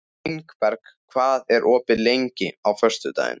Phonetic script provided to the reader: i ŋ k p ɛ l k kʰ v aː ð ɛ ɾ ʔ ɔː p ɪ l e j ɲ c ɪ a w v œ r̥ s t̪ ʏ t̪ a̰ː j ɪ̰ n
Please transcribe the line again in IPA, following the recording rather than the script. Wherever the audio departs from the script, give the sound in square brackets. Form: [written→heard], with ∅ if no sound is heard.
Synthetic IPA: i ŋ k p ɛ [l→ɾ] k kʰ v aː ð ɛ ɾ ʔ ɔː p ɪ l e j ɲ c ɪ a w [v→f] œ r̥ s t̪ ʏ t̪ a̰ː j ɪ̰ n